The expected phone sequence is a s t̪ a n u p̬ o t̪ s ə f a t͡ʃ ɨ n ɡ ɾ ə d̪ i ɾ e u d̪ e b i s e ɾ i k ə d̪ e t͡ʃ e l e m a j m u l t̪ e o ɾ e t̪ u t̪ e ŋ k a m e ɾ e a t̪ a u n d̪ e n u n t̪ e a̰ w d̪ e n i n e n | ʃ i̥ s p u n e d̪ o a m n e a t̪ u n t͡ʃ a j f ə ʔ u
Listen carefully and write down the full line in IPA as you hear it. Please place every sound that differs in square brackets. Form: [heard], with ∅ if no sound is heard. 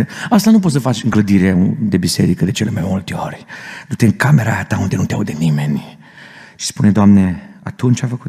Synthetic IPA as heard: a s t̪ a n u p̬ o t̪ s ə f a t͡ʃ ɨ [ŋ] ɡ [l] ə d̪ i ɾ e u d̪ e b i s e ɾ i k ə d̪ e t͡ʃ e l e m a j m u l t̪ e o ɾ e [d̪] u t̪ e ŋ k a m e ɾ [a] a t̪ a u n d̪ e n u n t̪ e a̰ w d̪ e n i [m] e n | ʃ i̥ s p u n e d̪ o a m n e a t̪ u n t͡ʃ a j f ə [k] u